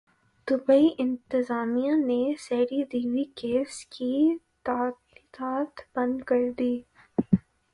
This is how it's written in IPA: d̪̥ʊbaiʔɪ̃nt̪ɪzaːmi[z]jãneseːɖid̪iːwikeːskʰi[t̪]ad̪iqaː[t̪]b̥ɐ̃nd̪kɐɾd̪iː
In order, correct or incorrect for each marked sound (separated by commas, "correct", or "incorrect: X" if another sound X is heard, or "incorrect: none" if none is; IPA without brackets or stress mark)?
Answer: incorrect: none, correct, correct